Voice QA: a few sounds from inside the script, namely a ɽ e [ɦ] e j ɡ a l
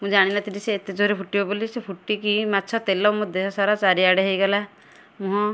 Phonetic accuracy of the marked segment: correct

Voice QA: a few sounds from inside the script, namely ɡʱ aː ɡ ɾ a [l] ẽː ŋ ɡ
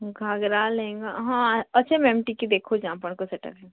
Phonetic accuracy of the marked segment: correct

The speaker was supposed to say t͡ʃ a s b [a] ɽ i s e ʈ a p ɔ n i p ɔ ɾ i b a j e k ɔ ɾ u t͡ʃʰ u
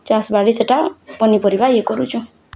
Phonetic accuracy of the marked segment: correct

